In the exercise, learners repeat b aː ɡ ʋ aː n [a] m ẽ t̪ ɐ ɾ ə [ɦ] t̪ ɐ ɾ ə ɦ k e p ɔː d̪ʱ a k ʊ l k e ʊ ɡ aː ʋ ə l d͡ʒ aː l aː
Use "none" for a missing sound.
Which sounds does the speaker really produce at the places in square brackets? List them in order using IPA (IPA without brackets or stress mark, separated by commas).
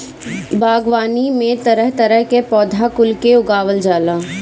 i, ɦ